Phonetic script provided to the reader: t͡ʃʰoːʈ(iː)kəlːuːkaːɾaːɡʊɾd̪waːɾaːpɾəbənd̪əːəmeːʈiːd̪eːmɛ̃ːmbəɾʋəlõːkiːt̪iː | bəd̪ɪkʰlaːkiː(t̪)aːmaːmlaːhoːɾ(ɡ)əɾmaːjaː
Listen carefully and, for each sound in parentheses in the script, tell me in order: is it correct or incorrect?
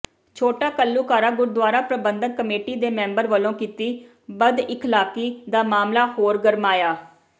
incorrect, incorrect, correct

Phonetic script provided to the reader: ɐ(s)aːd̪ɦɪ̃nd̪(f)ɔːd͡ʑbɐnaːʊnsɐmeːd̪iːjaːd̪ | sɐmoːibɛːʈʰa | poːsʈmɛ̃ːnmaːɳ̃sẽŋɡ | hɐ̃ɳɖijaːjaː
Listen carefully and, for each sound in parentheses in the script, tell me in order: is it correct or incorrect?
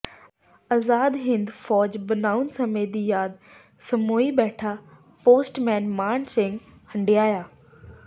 incorrect, correct

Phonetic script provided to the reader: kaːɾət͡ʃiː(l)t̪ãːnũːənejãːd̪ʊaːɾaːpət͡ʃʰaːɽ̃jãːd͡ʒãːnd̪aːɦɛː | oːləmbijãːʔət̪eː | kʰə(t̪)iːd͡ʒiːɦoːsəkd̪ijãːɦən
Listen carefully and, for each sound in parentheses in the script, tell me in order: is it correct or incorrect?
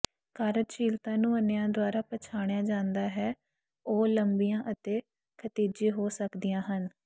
correct, correct

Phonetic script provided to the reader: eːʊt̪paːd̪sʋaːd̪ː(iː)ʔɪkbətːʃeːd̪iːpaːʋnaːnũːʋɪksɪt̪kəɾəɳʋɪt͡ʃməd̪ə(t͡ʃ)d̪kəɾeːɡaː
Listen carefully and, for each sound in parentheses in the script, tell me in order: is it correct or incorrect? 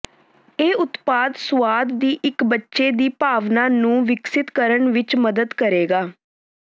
correct, incorrect

